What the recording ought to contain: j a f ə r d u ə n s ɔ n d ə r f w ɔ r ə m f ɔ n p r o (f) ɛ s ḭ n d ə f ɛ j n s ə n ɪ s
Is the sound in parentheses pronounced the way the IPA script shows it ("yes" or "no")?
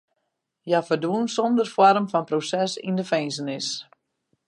no